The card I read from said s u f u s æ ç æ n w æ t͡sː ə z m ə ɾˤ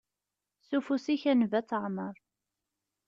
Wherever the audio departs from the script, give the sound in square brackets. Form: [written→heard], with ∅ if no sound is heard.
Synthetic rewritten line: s u f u s [æ→i] ç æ n [w→v] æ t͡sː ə [z→ʕ] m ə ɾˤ